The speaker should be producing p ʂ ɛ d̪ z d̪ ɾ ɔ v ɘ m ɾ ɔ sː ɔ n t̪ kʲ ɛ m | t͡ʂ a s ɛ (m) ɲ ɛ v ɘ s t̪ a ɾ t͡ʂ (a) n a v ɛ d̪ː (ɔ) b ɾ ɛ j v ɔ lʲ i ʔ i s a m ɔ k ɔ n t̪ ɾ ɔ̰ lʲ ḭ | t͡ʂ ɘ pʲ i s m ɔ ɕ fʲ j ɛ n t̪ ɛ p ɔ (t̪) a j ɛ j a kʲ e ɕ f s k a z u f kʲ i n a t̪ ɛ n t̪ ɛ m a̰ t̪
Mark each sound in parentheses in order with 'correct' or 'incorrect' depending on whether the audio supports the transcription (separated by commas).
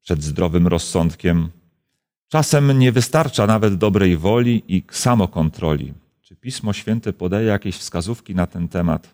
correct, correct, correct, incorrect